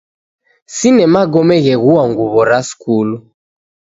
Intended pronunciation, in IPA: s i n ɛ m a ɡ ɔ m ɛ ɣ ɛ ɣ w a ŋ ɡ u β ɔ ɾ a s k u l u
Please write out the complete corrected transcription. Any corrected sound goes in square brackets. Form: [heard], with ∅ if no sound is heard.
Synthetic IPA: s i n ɛ m a ɡ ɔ m ɛ ɣ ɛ ɣ [u] a ŋ ɡ u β ɔ ɾ a s k u l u